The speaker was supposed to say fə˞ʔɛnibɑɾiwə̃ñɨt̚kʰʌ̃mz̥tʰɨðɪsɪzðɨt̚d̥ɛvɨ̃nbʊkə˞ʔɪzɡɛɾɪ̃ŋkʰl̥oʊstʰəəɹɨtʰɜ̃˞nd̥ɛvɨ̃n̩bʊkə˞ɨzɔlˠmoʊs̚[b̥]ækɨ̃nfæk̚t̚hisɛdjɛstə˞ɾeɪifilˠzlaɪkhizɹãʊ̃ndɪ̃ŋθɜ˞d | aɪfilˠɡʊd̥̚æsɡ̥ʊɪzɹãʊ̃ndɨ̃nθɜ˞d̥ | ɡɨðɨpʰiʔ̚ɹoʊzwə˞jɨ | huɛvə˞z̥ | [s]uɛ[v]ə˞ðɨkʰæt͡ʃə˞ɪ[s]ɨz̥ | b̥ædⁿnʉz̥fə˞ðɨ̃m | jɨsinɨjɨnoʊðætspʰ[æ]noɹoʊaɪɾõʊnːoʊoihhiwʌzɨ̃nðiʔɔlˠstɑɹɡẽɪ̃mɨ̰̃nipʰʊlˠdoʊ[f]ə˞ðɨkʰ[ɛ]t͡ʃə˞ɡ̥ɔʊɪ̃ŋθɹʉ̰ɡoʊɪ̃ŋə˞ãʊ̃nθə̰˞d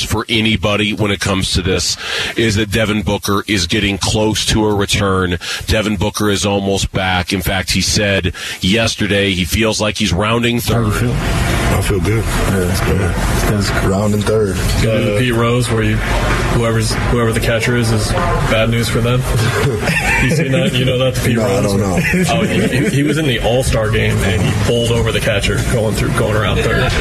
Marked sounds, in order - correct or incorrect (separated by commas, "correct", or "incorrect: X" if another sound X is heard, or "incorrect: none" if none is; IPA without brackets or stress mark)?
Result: correct, incorrect: h, correct, incorrect: z, incorrect: i, incorrect: v, incorrect: æ